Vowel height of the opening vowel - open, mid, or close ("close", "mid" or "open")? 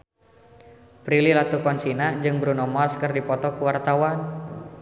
close